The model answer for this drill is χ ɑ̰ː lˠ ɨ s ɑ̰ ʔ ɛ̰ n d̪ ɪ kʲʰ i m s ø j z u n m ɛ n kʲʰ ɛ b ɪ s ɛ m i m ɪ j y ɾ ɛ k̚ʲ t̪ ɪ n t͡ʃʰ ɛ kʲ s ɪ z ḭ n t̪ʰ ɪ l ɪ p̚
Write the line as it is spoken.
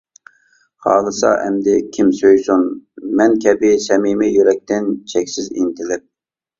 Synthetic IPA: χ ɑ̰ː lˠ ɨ s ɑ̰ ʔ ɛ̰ m d̪ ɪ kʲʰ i m s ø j s u n m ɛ n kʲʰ ɛ b ɪ s ɛ m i m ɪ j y ɾ ɛ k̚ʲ t̪ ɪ n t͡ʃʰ ɛ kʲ s ɪ z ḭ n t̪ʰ ɪ l ɪ p̚